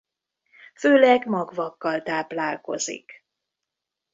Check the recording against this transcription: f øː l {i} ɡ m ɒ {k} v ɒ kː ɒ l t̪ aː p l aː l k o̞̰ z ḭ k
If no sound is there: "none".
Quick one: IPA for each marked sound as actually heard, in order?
ɛ, ɡ

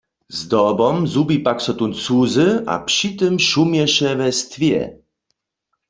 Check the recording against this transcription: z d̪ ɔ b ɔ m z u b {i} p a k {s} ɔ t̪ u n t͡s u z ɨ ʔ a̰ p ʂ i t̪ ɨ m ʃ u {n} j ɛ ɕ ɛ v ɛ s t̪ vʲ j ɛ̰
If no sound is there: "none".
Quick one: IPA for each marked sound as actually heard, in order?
i, s, m

